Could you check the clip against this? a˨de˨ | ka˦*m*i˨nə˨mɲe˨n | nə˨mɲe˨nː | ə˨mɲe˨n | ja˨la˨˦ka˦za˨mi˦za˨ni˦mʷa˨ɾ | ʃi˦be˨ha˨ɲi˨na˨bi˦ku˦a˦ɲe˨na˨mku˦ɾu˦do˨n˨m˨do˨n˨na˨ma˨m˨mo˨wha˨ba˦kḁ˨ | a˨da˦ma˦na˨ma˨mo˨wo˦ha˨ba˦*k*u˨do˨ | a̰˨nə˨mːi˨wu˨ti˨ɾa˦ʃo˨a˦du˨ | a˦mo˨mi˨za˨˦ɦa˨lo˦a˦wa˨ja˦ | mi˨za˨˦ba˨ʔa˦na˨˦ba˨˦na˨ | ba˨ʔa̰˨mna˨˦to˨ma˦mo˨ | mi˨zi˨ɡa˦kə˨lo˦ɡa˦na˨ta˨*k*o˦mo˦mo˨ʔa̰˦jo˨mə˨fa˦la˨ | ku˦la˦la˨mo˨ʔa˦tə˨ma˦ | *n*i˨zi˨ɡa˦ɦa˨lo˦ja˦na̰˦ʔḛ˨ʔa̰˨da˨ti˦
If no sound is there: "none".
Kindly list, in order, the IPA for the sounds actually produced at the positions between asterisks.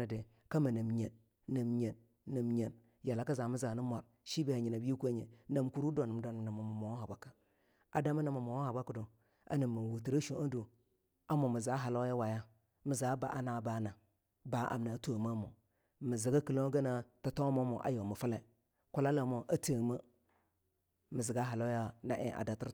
m, k, t, m

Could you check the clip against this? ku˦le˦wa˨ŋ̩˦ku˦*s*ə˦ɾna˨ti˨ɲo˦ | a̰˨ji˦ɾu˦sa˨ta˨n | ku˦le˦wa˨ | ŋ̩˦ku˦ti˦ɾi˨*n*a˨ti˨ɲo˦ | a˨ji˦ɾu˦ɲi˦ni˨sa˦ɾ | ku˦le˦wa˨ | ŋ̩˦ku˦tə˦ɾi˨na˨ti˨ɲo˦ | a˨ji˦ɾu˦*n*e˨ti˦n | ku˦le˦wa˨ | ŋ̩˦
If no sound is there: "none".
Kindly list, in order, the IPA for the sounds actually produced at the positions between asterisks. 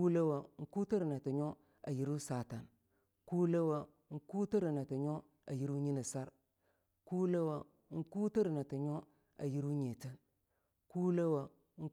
t, n, ɲ

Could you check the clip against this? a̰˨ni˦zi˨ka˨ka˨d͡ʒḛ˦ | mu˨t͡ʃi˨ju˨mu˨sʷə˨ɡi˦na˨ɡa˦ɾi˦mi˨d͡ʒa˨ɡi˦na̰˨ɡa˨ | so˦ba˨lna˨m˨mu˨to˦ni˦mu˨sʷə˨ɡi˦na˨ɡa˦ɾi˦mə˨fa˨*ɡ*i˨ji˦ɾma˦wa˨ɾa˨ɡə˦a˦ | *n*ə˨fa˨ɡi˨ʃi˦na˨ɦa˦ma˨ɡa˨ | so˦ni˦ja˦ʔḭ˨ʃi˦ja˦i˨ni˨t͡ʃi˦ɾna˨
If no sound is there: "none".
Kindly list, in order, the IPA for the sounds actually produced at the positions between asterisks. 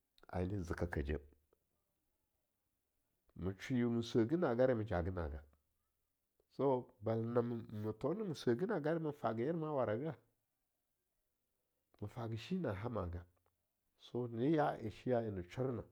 ɡ, m

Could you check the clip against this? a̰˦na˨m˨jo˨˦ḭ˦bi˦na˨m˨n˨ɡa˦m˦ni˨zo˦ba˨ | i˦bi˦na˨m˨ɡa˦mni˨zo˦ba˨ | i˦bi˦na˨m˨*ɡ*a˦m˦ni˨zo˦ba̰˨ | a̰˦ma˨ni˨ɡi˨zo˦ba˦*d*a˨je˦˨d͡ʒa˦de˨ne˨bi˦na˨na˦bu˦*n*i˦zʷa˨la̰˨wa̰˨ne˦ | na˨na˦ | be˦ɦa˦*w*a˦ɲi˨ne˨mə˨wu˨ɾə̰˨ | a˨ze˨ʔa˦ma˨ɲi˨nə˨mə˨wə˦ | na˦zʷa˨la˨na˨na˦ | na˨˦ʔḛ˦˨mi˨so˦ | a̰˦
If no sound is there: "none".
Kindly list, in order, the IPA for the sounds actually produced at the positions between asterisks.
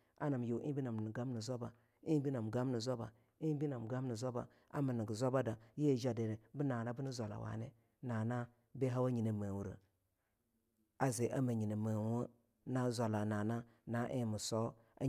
ɡ, d, n, w

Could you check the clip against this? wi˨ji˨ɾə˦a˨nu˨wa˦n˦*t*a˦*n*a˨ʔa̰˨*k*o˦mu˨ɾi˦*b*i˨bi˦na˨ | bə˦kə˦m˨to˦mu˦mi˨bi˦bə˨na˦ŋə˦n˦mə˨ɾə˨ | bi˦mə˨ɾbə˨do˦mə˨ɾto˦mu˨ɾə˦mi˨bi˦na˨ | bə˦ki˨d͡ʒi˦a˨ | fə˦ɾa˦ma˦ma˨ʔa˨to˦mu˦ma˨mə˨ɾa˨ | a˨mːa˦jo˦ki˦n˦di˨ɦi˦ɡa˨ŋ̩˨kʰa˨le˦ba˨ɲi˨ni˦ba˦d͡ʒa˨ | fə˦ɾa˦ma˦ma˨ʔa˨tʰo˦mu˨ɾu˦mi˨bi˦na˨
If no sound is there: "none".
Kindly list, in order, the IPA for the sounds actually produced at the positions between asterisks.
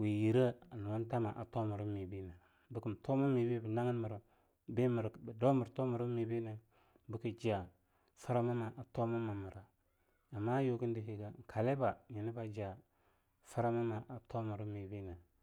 t, m, t, m

